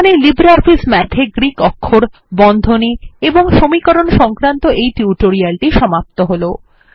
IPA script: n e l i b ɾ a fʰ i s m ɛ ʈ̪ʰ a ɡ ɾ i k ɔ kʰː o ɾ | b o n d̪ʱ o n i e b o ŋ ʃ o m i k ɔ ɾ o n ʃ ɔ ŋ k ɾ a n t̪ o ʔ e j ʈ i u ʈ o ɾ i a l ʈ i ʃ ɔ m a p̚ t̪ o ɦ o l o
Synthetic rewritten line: n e l i b ɾ a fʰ i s m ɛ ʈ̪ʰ e ɡ ɾ i k ɔ kʰː o ɾ | b ɔ n d̪ʱ o n i e b o ŋ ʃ o m i k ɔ ɾ o n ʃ ɔ ŋ k ɾ a n t̪ o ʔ e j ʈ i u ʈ o ɾ i a l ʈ i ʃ ɔ m a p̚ t̪ o ɦ o l o